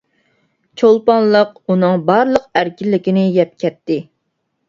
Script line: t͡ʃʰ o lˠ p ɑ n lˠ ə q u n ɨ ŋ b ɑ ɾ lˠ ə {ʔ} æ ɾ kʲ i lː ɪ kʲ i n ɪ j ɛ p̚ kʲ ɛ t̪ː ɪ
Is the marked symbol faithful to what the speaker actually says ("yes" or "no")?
no